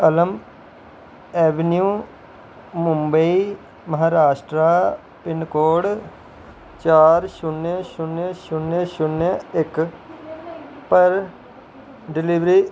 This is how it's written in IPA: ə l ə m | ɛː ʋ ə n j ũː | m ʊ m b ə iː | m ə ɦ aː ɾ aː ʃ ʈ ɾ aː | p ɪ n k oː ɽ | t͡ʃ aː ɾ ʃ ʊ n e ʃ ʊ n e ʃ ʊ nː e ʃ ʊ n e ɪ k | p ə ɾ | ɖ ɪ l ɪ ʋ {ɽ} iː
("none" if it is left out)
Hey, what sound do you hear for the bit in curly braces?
ɾ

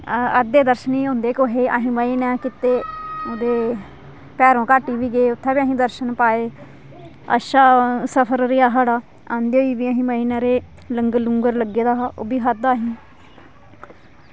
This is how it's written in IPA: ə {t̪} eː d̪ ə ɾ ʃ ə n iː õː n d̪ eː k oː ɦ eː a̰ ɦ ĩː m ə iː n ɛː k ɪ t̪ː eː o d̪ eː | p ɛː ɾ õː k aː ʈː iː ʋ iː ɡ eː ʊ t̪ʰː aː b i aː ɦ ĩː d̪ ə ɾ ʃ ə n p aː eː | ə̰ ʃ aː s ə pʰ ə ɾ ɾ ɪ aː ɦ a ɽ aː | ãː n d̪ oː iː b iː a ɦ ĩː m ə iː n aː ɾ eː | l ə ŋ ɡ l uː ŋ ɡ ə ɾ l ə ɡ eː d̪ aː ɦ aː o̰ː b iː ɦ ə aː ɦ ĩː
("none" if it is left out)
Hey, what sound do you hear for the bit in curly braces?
d̪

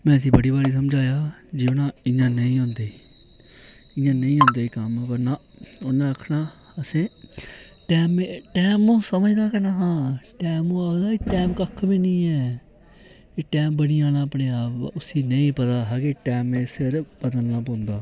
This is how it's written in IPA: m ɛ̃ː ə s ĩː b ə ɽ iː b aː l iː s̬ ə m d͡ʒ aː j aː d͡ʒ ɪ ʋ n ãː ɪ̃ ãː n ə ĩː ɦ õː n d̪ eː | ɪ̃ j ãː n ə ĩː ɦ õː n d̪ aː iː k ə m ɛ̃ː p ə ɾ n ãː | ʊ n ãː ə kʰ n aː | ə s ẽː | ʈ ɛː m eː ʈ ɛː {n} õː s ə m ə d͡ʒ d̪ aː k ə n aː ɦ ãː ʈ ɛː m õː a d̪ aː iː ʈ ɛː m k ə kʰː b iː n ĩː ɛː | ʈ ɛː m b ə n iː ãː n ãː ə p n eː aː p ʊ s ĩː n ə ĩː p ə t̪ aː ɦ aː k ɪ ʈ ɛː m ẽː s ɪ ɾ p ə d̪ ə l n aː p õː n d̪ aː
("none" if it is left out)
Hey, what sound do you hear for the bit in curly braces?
m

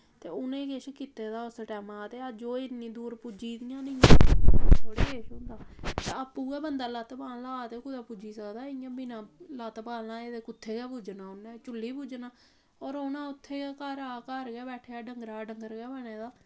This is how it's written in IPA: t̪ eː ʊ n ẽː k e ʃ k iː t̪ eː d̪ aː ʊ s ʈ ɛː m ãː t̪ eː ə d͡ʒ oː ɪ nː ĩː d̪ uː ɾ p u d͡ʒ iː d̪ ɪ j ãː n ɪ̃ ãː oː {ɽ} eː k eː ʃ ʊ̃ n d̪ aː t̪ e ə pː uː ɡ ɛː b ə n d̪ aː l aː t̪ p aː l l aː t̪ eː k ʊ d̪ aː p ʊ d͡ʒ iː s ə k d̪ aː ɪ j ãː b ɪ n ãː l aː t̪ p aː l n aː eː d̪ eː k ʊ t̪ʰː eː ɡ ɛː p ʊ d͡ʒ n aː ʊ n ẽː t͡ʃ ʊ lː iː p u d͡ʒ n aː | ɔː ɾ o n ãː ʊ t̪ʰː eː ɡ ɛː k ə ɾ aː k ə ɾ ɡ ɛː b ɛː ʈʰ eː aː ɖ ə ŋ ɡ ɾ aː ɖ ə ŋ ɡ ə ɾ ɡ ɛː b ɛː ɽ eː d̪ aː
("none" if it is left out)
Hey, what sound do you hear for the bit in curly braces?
ɽ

